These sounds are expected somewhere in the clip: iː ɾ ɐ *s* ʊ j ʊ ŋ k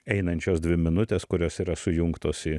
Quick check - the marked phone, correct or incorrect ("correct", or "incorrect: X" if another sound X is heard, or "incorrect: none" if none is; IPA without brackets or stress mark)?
correct